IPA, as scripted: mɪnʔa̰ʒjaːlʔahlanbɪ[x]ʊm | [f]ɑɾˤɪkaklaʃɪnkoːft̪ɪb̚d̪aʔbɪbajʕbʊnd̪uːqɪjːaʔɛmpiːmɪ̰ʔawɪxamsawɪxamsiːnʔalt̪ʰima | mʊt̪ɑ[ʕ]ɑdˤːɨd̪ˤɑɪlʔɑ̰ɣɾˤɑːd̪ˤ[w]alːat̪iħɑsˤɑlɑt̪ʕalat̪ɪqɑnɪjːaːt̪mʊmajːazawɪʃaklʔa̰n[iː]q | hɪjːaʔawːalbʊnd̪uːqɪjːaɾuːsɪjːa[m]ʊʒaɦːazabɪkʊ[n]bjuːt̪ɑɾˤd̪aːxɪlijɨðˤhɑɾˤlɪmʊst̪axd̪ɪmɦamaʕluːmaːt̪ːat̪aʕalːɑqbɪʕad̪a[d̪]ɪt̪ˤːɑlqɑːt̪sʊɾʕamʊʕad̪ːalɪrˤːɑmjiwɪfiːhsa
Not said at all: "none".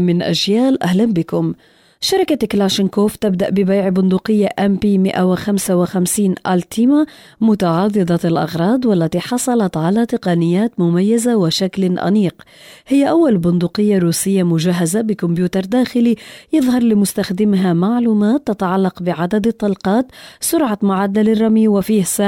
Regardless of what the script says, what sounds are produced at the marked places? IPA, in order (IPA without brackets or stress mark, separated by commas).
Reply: k, ʃ, ʕ, w, iː, m, m, d̪